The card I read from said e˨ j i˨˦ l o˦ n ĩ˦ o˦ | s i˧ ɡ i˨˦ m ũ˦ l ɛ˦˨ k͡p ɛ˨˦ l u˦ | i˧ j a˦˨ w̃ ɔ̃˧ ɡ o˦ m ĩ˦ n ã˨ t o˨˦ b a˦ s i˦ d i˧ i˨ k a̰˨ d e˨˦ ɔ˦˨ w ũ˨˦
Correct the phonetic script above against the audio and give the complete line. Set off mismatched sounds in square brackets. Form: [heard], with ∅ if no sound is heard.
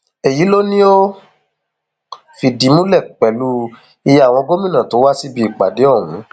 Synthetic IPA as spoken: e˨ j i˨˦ l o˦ n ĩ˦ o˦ | [f] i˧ [d] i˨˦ m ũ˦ l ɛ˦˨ k͡p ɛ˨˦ l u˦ | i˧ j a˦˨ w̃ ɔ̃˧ ɡ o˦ m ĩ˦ n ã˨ t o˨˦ [w] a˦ s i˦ [b] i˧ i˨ [k͡p] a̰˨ d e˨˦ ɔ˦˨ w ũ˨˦